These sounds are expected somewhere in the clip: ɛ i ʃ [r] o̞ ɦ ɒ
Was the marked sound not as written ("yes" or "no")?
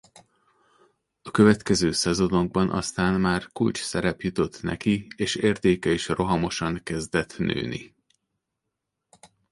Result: no